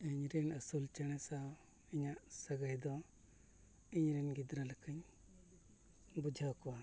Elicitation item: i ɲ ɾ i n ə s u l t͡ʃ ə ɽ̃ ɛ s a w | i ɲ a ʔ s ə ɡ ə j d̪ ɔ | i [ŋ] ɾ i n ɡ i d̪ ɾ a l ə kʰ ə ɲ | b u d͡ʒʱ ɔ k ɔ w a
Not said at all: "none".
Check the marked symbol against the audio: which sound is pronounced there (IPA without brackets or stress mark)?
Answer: ɲ